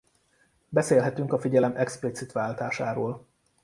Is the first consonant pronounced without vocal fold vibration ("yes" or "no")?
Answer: no